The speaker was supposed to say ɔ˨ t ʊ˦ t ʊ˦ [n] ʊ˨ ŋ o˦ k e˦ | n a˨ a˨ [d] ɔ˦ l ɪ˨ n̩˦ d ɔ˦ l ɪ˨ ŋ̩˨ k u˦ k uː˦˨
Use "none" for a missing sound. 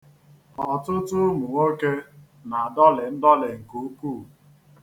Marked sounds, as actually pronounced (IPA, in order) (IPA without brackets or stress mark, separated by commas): m, d